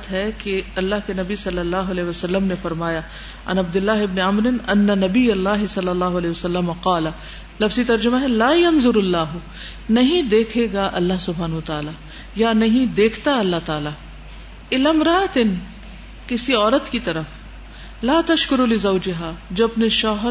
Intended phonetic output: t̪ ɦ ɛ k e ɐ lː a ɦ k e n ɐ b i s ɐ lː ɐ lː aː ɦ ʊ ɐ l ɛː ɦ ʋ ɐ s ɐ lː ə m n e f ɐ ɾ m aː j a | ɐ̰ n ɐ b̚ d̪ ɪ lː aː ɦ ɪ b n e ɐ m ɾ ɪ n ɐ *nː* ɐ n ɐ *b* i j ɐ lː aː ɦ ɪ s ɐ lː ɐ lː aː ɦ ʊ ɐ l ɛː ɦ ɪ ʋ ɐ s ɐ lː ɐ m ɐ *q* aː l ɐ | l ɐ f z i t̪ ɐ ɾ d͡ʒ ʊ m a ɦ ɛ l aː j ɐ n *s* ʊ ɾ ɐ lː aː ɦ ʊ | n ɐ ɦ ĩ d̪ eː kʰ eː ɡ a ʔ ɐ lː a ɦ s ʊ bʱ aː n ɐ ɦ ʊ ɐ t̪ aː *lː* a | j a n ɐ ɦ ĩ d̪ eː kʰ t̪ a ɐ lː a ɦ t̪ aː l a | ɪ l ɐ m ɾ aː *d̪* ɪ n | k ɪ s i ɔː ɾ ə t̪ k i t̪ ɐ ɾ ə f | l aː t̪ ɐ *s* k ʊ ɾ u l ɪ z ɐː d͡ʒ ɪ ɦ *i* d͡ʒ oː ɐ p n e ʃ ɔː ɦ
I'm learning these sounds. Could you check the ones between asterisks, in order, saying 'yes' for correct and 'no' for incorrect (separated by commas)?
yes, yes, yes, no, no, no, no, no